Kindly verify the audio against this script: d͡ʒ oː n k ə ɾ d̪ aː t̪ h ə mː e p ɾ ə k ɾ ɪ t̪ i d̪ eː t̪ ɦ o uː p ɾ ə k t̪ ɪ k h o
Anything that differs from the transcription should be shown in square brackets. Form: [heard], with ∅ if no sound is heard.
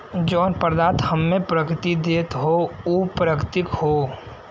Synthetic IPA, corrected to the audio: d͡ʒ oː n [p] ə ɾ d̪ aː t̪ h ə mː e p ɾ ə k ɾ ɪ t̪ i d̪ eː t̪ ɦ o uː p ɾ ə k t̪ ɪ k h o